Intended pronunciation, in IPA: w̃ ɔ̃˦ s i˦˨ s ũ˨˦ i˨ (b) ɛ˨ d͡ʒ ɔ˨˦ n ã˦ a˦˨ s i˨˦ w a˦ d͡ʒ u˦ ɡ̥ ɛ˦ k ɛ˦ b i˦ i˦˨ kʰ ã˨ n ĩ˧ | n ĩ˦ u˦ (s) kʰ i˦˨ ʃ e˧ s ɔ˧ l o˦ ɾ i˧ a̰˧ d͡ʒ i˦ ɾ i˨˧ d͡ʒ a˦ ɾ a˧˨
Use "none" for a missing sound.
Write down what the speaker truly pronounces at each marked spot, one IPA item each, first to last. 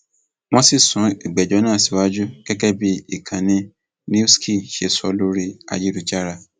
ɡ͡b, s

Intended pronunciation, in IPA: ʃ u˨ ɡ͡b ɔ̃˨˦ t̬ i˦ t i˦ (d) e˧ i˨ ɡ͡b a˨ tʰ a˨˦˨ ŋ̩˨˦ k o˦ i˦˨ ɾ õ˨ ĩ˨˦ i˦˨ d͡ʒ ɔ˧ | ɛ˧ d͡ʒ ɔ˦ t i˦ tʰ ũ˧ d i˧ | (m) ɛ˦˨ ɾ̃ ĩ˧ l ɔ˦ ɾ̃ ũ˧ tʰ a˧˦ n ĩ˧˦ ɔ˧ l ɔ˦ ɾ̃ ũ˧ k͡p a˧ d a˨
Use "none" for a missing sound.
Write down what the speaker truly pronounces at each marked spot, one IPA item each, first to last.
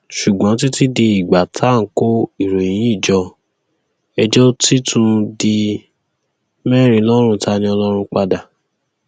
d, m

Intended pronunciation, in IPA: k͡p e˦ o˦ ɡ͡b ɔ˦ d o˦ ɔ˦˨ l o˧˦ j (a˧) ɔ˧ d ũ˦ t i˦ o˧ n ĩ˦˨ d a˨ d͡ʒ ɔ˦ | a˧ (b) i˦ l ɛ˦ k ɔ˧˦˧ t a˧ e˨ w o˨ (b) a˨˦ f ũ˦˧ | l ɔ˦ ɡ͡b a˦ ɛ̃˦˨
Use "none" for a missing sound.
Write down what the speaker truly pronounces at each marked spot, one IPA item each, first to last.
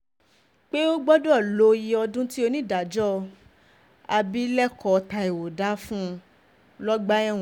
i˧, b, d

